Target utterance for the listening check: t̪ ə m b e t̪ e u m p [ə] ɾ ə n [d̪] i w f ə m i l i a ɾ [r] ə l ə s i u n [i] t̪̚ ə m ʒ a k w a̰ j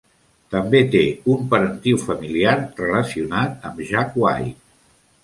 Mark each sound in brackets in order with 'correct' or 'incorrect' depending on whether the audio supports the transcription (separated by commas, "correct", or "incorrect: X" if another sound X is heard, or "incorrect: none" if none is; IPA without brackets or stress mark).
correct, incorrect: t̪, correct, incorrect: a